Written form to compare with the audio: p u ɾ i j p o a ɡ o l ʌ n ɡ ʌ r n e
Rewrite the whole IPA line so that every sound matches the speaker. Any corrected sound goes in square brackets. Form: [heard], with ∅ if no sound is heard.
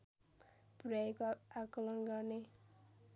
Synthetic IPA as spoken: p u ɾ [a] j [k] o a [k] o l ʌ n ɡ ʌ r n e